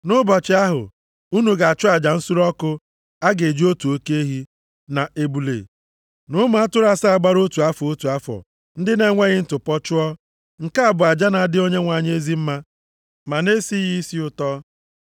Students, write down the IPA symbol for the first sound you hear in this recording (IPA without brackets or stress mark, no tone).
n